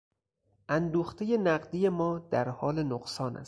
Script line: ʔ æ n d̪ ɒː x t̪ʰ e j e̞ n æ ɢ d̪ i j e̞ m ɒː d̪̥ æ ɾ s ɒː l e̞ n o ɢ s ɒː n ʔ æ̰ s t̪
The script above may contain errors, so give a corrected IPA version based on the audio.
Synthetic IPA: ʔ æ n d̪ uː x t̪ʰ e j e̞ n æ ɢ d̪ i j e̞ m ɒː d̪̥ æ ɾ h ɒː l e̞ n o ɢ s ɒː n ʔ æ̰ s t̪